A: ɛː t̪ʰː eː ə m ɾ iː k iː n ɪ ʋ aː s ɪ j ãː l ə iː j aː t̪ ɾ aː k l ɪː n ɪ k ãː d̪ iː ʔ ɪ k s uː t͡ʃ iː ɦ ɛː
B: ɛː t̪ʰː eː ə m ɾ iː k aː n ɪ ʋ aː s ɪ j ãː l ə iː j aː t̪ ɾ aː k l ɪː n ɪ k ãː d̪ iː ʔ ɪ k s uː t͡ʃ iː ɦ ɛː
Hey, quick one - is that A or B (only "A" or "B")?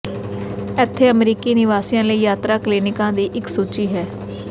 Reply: A